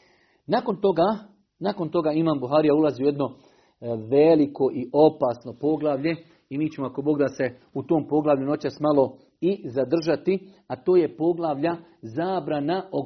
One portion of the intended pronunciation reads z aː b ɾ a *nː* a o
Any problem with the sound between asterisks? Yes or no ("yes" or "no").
yes